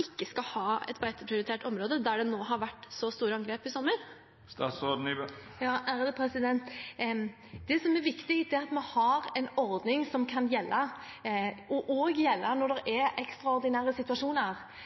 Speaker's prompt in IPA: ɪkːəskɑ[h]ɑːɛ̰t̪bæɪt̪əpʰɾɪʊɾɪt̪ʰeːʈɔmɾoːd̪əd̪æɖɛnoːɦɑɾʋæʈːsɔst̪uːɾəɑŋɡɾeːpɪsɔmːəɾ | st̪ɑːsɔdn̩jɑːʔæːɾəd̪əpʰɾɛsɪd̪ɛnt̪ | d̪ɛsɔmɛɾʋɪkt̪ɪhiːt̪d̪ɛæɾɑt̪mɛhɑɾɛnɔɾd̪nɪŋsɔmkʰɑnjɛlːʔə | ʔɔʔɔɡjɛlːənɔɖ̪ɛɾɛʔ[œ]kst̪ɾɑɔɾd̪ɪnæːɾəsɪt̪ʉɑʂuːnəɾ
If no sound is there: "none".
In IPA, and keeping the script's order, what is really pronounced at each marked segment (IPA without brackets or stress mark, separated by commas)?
h, ɛ